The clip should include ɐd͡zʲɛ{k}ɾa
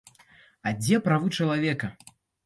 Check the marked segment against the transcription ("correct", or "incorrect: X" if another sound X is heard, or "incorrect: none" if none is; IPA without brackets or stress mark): incorrect: p